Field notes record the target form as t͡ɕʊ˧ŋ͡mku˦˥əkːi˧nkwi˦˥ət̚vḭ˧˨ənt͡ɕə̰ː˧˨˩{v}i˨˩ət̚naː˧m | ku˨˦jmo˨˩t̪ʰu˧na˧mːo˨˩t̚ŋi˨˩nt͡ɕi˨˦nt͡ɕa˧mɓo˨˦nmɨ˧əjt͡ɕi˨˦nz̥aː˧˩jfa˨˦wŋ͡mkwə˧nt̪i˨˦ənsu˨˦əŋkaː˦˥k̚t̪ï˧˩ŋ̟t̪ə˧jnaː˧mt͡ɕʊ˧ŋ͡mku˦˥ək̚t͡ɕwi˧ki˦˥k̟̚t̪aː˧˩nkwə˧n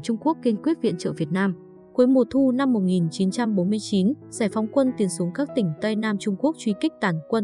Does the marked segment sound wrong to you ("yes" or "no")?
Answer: no